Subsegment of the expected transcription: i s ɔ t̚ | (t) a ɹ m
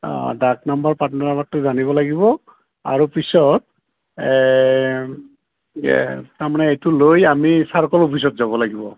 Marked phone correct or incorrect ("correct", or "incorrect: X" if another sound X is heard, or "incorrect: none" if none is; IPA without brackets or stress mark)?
correct